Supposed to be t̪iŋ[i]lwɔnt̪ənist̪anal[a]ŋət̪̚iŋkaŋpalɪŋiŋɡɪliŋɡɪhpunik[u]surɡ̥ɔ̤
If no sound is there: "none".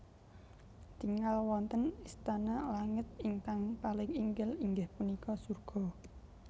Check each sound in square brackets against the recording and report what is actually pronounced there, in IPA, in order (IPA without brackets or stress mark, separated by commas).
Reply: a, a, ɔ